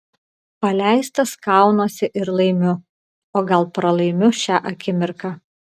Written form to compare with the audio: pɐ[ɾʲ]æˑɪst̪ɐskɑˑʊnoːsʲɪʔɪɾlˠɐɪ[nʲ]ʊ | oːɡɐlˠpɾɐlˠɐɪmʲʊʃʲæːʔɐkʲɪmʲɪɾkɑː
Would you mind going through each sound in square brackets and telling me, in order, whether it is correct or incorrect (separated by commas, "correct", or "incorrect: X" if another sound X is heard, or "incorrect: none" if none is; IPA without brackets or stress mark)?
incorrect: lʲ, incorrect: mʲ